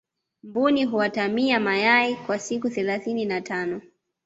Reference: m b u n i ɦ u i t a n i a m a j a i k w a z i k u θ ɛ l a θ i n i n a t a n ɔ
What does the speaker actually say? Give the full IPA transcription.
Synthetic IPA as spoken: m b u n i ɦ u a t a m i a m a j a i k w a s i k u θ ɛ l a θ i n i n a t a n ɔ